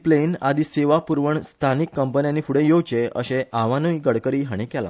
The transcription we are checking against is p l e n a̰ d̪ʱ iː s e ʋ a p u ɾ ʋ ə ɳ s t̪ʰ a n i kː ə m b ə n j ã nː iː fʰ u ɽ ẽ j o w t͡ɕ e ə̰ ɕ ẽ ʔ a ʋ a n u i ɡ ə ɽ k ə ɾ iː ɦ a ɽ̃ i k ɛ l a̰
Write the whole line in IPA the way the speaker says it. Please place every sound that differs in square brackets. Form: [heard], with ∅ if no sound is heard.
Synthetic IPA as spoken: p l e n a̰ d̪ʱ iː s e ʋ a p u ɾ ʋ ə ɳ s t̪ʰ a n i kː ə m [p] ə n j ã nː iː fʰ u ɽ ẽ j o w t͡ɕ e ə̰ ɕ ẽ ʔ a ʋ a n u i ɡ ə ɽ k ə ɾ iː ɦ a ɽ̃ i k ɛ l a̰